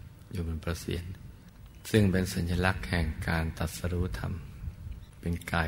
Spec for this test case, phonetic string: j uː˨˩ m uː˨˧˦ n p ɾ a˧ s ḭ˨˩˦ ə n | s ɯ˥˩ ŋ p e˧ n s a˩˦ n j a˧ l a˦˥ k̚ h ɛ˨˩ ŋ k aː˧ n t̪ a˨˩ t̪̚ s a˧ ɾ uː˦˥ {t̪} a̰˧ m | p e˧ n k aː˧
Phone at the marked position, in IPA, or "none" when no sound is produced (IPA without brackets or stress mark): t̪ʰ